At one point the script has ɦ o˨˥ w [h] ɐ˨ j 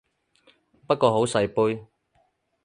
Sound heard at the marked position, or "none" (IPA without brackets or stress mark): s